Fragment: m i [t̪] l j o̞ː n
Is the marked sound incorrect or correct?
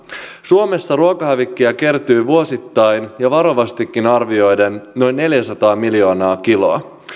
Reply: incorrect